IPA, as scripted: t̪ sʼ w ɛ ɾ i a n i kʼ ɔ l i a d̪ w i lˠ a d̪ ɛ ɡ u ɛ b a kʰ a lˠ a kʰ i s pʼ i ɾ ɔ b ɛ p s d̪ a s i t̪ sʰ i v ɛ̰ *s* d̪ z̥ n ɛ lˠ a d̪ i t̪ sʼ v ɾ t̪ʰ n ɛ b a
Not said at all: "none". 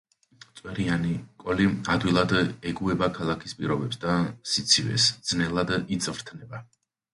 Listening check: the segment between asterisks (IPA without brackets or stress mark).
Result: s